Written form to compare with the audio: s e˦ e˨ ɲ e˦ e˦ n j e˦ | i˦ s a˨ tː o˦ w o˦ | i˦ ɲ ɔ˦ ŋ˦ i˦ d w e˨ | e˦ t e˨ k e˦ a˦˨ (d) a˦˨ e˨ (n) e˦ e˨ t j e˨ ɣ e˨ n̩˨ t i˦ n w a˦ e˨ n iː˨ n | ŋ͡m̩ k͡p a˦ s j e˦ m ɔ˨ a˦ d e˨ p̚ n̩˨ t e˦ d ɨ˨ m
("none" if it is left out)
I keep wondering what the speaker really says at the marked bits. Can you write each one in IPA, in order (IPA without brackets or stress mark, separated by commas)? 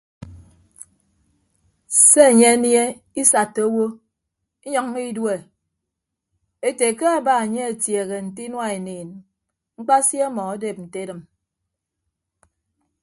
b, ɲ